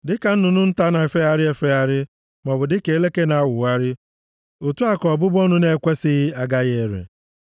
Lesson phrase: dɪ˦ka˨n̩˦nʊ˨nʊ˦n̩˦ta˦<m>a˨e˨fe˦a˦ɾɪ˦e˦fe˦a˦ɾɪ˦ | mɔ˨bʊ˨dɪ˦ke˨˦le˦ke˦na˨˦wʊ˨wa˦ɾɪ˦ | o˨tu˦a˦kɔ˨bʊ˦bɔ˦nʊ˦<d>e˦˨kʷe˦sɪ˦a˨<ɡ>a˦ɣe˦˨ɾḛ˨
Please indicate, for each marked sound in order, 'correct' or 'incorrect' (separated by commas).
incorrect, incorrect, correct